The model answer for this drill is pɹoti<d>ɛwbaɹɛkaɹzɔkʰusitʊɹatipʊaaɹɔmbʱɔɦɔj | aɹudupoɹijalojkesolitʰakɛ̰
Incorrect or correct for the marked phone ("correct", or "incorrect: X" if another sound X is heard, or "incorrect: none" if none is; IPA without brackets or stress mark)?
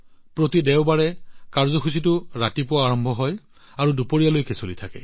correct